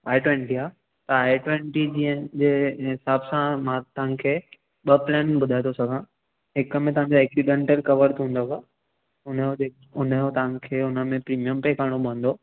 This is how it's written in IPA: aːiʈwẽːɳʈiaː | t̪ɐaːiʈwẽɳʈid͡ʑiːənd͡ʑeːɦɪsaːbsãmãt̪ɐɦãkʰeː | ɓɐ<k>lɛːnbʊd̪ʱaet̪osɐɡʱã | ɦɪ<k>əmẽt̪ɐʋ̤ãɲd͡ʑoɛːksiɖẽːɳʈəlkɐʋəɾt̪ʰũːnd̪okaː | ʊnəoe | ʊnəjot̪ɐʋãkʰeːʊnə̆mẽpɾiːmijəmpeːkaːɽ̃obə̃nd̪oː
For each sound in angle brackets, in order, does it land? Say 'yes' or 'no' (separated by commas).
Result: no, yes